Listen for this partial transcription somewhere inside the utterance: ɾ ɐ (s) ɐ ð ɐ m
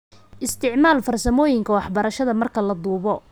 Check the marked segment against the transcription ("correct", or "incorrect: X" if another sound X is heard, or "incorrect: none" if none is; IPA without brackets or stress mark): incorrect: ʃ